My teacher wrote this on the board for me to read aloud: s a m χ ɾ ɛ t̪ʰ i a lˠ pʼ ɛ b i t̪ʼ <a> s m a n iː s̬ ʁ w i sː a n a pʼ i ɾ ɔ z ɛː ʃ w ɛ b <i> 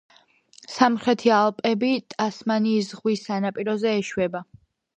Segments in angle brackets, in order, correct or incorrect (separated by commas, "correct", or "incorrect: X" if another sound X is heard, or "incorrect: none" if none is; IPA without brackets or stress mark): correct, incorrect: a